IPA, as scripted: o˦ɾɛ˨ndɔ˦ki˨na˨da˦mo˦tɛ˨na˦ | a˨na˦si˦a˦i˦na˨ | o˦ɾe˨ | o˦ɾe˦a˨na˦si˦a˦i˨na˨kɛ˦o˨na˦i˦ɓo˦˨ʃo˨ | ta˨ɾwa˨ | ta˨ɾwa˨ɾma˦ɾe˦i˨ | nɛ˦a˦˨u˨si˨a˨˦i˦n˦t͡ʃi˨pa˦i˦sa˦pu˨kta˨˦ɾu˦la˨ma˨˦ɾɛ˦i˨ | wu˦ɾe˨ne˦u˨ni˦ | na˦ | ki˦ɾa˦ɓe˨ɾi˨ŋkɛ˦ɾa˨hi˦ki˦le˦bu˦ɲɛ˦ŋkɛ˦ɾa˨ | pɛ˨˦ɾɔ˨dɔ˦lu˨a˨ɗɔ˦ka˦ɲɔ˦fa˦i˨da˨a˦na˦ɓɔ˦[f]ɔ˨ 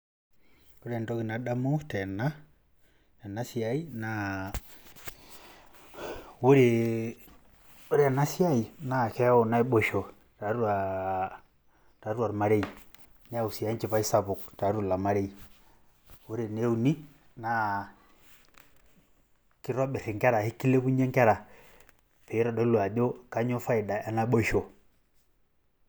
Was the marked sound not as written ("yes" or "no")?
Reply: yes